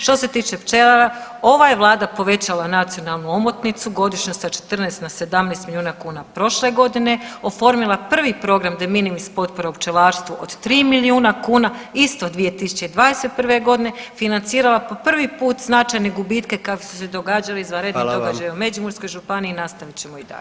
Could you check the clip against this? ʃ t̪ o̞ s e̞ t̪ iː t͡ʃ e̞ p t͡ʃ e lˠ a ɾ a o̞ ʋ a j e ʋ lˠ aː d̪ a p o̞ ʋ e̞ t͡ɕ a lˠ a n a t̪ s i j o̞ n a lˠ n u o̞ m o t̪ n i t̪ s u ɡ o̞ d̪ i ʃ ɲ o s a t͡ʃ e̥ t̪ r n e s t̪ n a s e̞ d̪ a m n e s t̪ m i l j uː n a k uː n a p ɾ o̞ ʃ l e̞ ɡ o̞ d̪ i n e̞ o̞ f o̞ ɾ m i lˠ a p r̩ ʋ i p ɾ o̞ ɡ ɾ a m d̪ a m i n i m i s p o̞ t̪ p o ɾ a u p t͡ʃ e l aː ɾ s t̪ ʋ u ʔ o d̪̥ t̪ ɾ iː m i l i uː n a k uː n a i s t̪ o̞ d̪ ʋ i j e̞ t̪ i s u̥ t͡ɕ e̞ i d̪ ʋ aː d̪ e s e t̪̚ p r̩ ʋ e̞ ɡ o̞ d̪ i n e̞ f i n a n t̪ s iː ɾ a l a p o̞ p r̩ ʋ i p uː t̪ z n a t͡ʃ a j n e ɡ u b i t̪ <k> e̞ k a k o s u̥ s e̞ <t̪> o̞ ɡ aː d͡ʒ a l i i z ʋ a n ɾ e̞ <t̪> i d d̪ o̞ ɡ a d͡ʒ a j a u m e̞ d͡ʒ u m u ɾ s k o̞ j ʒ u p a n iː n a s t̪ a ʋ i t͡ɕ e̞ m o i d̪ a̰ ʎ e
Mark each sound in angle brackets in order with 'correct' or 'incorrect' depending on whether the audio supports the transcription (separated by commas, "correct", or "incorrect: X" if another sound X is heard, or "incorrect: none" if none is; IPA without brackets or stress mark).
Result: correct, incorrect: d̪, incorrect: d̪